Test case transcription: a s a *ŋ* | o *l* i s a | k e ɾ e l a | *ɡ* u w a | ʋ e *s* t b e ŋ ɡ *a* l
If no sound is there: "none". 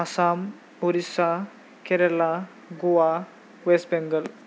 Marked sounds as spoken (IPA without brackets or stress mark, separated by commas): m, ɾ, ɡ, s, ə